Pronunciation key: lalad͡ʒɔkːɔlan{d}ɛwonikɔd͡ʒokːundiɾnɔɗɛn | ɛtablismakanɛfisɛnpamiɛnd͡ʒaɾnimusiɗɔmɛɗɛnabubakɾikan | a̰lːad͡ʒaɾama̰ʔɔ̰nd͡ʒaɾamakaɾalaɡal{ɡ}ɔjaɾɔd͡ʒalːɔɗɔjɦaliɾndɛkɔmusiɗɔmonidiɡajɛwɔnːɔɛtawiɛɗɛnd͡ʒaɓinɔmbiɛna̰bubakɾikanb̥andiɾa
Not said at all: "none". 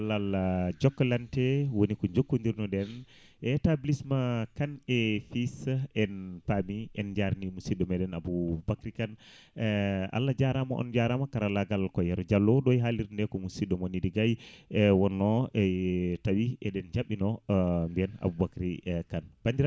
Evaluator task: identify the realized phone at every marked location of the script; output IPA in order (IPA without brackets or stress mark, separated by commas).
t, k